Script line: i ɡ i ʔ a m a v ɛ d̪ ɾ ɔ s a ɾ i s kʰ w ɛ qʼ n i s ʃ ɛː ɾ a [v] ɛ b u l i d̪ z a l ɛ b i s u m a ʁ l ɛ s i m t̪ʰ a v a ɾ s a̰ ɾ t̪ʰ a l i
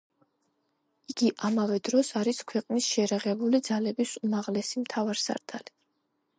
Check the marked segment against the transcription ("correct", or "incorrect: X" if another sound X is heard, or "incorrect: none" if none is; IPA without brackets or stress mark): incorrect: ʁ